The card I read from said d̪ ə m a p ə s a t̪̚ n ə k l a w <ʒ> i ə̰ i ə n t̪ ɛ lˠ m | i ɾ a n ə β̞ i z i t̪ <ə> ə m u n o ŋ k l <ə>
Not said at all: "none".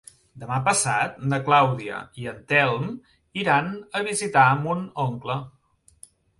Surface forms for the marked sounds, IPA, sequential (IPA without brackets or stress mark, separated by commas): ð, a, ə